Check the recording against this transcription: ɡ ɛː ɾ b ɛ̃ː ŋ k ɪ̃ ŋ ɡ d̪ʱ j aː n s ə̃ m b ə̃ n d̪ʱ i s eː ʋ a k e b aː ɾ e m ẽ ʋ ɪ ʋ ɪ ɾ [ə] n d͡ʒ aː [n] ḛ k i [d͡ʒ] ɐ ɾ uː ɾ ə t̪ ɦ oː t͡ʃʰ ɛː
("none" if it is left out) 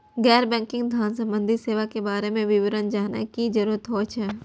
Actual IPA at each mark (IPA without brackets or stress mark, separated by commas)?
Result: ə, n, d͡ʒ